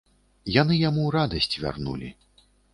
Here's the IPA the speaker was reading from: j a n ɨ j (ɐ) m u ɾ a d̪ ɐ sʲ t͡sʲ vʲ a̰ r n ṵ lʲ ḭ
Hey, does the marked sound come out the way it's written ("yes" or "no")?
no